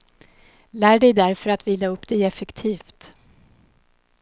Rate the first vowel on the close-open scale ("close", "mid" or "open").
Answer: open